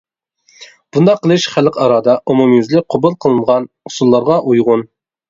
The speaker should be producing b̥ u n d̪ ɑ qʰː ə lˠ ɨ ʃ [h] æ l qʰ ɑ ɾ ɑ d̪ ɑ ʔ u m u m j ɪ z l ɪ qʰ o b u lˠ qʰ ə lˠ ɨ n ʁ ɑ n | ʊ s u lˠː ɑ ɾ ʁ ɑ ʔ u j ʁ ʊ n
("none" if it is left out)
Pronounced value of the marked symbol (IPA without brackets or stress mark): χ